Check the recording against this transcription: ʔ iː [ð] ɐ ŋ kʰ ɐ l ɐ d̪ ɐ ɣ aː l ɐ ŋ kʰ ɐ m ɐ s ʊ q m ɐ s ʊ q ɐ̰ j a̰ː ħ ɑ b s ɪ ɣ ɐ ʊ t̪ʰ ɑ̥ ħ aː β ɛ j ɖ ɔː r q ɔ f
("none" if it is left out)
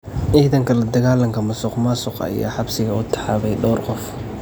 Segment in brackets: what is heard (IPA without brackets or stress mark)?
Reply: ð